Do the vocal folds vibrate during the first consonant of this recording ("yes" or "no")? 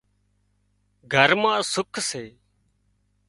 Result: yes